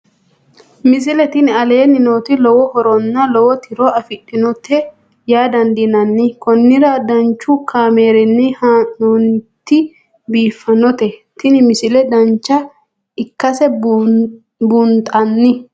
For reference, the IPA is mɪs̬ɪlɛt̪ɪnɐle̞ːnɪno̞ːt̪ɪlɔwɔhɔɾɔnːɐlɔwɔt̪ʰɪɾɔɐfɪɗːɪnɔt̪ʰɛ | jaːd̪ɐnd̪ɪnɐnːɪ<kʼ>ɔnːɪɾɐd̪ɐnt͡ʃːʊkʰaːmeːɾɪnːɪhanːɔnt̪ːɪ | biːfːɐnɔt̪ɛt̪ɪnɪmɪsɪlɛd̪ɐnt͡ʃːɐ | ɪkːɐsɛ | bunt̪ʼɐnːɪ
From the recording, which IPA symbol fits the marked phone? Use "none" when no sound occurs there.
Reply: k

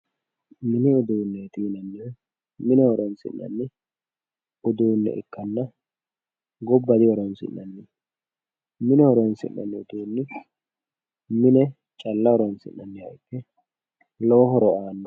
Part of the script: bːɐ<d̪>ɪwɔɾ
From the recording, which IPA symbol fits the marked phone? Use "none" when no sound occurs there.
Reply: d̪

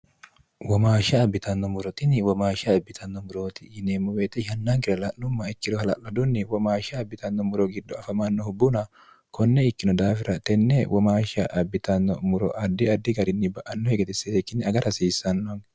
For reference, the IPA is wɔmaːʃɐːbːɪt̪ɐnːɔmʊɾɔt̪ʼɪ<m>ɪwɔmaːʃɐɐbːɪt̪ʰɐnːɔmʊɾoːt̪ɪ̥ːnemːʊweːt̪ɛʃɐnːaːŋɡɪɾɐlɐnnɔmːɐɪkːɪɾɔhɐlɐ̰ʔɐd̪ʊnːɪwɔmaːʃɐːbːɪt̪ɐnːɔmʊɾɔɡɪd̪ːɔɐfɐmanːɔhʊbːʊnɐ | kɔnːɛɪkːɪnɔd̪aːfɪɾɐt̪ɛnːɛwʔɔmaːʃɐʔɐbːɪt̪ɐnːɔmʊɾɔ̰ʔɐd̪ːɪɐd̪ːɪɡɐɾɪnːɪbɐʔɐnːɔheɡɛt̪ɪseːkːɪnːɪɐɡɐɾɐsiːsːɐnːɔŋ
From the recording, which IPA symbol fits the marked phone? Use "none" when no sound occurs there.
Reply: n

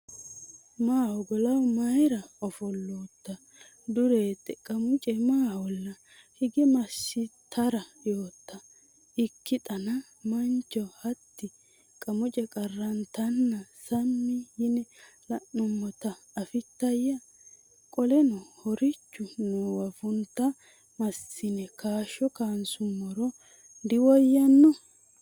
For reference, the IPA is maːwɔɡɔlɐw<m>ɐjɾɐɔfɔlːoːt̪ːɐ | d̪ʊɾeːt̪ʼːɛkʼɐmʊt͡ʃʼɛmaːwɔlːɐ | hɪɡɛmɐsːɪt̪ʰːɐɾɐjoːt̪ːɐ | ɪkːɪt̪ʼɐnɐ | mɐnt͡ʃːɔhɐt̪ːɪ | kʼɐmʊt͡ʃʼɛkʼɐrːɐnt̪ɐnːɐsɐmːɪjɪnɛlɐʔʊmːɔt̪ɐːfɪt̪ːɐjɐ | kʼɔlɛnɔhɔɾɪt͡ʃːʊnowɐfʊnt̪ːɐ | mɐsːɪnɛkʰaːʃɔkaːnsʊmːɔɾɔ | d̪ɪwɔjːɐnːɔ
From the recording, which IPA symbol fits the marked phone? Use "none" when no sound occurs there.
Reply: m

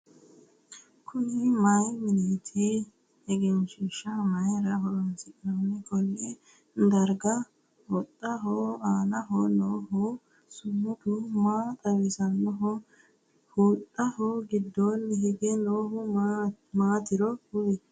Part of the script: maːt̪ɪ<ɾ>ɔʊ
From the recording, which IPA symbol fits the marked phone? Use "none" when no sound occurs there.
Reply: ɾ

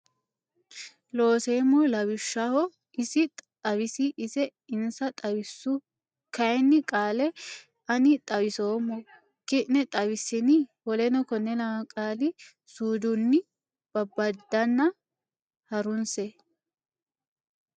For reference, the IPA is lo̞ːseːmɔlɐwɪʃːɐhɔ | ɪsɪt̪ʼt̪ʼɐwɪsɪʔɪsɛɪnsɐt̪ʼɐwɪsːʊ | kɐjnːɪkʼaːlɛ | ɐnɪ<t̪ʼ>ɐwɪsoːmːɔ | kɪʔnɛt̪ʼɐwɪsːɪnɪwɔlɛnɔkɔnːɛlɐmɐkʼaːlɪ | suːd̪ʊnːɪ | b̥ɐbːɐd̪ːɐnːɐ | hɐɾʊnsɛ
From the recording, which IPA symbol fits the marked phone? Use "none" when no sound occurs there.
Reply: t̪ʼ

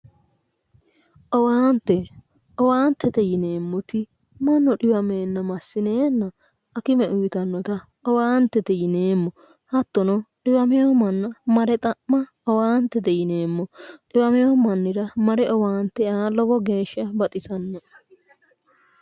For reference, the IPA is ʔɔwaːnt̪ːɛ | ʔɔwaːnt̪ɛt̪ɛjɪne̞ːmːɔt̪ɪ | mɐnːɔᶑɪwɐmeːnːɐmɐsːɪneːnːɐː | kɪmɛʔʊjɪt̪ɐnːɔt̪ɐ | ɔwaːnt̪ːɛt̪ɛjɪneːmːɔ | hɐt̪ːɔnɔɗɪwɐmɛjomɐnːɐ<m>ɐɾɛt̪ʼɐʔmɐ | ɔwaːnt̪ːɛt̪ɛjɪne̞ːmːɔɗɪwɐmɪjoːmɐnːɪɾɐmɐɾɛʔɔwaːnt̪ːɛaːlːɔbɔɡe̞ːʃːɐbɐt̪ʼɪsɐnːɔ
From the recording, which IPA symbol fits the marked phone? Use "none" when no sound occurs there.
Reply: m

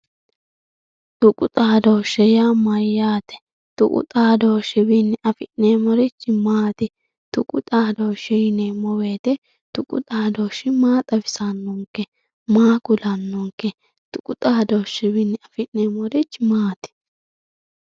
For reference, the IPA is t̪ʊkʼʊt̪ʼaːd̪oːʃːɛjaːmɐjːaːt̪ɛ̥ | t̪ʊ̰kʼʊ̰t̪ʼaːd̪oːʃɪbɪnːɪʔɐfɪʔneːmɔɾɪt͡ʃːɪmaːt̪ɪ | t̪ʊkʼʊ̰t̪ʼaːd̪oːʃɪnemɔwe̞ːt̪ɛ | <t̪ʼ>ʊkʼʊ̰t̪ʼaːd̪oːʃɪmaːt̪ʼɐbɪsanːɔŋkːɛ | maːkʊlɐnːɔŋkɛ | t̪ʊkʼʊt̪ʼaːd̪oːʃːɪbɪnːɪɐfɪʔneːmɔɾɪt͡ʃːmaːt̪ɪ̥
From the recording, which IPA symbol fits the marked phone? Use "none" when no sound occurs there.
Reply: t̪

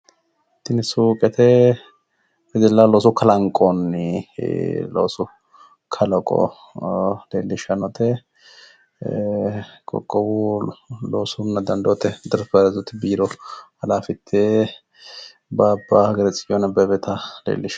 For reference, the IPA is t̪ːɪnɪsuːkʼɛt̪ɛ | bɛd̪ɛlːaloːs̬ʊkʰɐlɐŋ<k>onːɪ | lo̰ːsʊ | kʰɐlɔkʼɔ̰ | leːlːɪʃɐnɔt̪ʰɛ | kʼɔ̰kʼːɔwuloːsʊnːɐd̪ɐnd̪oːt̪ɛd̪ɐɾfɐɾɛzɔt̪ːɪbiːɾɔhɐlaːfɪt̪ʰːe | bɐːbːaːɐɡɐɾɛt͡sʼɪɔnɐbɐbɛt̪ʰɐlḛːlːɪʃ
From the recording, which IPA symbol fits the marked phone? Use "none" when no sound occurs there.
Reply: kʼ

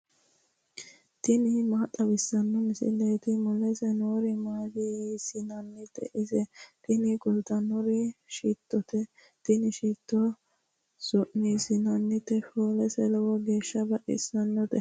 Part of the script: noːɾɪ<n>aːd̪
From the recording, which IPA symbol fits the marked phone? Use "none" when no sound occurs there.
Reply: m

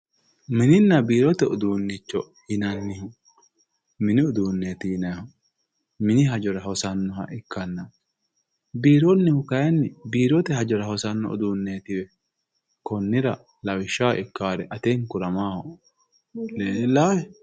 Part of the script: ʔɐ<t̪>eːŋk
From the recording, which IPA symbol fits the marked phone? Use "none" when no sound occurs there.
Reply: t̪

